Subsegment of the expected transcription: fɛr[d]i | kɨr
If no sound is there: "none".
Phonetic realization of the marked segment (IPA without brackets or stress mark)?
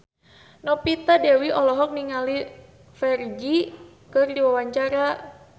d͡ʒ